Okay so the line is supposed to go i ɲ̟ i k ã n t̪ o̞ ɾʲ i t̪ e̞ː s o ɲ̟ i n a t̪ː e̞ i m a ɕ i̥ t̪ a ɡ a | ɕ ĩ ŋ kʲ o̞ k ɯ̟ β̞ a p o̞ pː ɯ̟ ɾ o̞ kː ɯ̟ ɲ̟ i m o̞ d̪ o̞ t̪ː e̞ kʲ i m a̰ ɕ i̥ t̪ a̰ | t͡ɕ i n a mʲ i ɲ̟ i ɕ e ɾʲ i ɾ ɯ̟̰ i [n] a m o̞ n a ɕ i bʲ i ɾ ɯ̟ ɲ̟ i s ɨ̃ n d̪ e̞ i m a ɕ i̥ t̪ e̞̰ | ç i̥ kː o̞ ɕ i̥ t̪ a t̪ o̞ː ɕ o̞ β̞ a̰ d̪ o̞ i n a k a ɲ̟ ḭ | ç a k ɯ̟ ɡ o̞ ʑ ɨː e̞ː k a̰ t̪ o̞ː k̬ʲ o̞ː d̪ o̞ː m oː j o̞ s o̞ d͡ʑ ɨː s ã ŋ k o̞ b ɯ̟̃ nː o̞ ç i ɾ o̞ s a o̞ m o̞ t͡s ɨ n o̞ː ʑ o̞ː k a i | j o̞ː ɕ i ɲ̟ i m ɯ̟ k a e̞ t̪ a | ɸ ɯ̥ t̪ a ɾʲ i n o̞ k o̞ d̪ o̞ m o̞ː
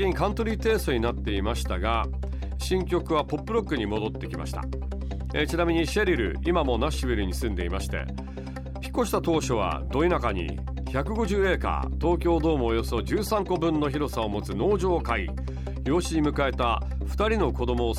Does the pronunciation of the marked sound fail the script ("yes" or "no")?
yes